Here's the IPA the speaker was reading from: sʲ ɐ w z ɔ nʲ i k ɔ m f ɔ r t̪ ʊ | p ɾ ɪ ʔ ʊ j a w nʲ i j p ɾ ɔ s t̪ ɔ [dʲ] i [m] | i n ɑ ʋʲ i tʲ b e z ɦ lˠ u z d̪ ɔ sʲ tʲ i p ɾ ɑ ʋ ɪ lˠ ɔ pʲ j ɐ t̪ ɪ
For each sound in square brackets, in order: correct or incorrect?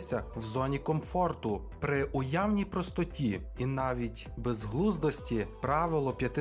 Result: incorrect: tʲ, incorrect: none

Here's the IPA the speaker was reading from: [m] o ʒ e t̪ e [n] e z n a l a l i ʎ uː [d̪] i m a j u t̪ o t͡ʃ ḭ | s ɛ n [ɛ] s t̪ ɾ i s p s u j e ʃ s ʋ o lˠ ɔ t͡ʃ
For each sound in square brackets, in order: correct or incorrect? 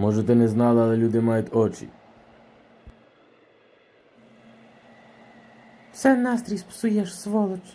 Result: correct, correct, correct, incorrect: a

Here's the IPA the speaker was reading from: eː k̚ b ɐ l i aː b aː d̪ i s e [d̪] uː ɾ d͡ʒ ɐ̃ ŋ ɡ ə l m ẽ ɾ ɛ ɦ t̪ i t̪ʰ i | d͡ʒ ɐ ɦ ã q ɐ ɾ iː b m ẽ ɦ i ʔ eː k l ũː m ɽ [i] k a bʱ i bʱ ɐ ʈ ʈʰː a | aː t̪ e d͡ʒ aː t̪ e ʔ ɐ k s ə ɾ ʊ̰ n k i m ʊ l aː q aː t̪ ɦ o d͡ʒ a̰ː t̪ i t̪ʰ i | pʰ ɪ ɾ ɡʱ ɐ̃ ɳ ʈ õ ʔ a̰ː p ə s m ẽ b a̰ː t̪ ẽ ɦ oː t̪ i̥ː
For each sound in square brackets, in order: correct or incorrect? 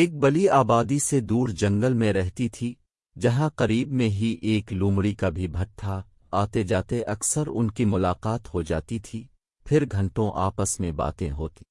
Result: correct, correct

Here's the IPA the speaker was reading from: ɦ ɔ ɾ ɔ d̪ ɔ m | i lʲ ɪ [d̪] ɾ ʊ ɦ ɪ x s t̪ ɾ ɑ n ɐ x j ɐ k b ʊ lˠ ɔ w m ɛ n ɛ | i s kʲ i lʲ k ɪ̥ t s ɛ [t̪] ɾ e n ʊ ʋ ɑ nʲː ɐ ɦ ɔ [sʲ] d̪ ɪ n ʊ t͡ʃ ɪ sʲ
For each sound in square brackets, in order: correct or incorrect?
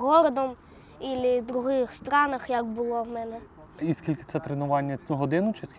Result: correct, correct, incorrect: none

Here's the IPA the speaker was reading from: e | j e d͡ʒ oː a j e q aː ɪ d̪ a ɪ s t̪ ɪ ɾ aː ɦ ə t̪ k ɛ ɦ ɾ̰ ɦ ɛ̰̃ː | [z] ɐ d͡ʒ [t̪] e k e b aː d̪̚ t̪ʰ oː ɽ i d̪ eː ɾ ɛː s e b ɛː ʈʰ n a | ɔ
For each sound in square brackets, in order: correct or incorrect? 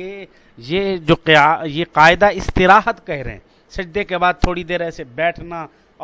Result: incorrect: s, incorrect: d̪

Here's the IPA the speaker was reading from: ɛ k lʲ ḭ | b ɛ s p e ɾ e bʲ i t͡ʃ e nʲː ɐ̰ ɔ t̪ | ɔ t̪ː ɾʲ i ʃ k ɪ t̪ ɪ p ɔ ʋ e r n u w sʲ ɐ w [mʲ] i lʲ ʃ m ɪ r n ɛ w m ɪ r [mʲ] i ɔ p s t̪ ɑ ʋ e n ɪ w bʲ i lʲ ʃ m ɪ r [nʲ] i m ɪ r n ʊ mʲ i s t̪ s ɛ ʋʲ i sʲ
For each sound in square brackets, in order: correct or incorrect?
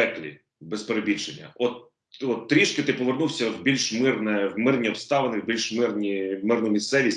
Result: incorrect: bʲ, incorrect: nʲ, correct

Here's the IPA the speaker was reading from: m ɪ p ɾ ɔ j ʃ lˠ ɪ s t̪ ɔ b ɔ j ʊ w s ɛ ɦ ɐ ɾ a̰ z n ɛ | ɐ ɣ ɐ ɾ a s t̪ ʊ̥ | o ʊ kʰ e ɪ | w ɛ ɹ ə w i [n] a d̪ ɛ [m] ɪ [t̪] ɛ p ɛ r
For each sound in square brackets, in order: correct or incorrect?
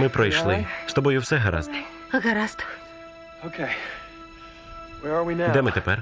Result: correct, correct, correct

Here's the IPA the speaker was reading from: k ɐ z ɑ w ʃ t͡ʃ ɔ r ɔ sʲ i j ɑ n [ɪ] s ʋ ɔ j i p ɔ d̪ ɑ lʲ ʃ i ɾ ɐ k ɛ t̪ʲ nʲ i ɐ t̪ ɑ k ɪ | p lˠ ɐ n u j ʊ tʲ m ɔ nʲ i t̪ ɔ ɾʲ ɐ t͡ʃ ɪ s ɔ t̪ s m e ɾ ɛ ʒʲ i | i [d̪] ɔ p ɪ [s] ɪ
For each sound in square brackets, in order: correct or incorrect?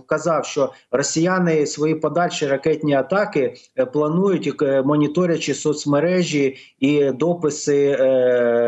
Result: correct, correct, correct

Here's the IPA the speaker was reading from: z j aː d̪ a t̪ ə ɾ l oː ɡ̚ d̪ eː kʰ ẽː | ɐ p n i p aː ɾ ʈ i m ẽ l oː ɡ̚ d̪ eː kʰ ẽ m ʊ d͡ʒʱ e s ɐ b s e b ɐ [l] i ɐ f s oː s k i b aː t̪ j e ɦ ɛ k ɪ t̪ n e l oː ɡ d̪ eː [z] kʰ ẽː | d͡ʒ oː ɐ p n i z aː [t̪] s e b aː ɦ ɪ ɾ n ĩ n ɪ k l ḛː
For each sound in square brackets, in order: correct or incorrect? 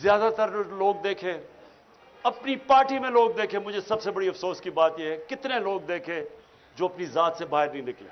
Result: incorrect: ɽ, incorrect: none, correct

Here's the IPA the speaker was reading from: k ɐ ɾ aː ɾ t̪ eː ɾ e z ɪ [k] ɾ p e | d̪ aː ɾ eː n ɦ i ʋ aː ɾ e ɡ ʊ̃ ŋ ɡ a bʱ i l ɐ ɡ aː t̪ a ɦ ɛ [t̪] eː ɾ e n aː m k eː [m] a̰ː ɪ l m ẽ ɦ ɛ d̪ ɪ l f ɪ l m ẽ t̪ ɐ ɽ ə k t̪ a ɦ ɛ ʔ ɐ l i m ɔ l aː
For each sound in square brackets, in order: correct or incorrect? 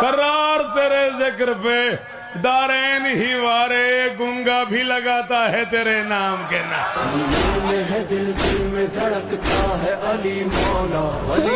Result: correct, correct, incorrect: n

